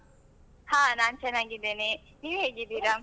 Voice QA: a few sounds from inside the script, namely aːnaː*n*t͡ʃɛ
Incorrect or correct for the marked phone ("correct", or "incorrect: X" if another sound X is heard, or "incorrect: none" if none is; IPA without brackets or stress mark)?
correct